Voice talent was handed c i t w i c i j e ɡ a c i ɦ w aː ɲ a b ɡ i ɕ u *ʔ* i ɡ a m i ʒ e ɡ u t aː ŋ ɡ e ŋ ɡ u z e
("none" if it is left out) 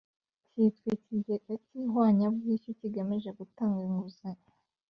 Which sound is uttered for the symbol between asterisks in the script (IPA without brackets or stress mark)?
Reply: c